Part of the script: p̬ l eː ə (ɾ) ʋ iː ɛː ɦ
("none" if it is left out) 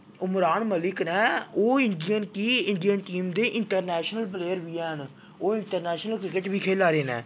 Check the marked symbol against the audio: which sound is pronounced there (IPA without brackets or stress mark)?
ɾ